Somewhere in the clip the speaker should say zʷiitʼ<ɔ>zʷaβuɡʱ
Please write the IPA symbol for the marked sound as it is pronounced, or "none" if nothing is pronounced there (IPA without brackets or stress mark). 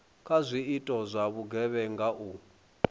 ɔ